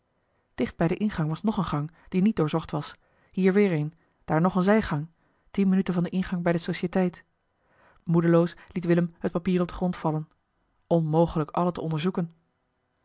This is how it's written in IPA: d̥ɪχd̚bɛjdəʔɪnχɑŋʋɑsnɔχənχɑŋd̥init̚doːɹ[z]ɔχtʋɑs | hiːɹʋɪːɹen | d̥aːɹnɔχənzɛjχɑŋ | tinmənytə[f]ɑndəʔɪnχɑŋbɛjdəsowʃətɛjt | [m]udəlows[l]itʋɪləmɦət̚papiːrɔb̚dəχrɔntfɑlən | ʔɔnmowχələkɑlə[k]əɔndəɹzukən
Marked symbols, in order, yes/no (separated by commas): yes, no, yes, yes, no